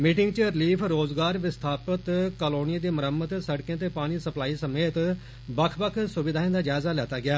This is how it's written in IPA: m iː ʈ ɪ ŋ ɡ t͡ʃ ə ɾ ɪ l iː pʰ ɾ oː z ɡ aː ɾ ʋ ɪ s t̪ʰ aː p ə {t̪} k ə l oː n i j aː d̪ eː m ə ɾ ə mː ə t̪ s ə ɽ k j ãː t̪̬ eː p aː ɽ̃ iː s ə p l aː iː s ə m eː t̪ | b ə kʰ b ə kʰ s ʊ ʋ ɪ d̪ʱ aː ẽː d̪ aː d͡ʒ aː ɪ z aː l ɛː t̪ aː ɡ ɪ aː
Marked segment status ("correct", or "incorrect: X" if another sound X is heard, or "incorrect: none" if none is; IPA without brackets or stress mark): correct